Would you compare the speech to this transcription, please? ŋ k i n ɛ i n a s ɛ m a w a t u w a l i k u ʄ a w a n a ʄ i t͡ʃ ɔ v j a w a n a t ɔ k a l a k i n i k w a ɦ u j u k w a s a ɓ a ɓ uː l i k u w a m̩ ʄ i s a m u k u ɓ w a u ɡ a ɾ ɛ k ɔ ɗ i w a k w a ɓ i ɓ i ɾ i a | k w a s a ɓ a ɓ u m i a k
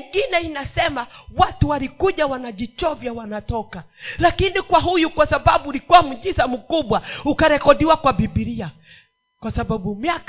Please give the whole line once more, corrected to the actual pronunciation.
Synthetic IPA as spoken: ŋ ɡ i n ɛ i n a s ɛ m a w a t u w a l i k u ʄ a w a n a ʄ i t͡ʃ ɔ v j a w a n a t ɔ k a l a k i n i k w a ɦ u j u k w a s a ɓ a ɓ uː l i k u w a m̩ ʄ i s a m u k u ɓ w a u k a ɾ ɛ k ɔ ɗ i w a k w a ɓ i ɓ i ɾ i a | k w a s a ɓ a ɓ u m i a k